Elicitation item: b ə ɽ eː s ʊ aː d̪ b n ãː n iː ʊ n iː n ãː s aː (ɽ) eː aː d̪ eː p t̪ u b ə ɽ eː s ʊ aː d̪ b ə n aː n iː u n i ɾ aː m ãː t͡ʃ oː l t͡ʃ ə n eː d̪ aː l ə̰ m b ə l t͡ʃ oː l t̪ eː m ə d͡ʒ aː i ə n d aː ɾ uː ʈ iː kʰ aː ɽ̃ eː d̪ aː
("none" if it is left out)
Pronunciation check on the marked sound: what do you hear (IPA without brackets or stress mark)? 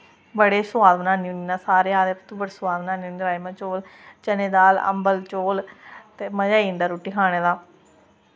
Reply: ɾ